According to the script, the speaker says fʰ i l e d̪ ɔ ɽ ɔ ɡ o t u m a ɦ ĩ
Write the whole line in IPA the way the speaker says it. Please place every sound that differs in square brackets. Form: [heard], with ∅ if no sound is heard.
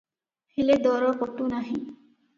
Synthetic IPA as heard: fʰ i l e d̪ ɔ [ɾ] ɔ [k] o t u [n] a ɦ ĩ